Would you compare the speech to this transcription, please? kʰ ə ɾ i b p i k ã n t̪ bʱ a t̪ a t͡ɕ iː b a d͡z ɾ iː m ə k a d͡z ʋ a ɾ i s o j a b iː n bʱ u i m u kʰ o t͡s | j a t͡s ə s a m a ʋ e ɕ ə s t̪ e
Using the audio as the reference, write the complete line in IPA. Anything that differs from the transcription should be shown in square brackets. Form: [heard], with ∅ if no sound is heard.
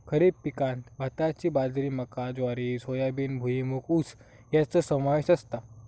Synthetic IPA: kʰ ə ɾ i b p i k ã n t̪ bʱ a t̪ a t͡ɕ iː b a d͡z ɾ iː m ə k a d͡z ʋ a ɾ i s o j a b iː n bʱ u i m u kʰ [u] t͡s | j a t͡s ə s [ə] m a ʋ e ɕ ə s t̪ [a]